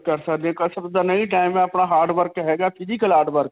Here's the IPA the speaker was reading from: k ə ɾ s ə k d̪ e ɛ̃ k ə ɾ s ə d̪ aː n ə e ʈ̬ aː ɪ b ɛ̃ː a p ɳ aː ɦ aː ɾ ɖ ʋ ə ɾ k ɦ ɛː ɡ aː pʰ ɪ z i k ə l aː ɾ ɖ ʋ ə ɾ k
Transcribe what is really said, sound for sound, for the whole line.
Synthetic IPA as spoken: k ə ɾ s ə k d̪ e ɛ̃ k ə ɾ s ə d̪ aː n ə i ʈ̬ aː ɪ m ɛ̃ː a p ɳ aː ɦ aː ɾ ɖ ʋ ə ɾ k ɦ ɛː ɡ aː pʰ ɪ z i k ə l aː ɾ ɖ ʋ ə ɾ k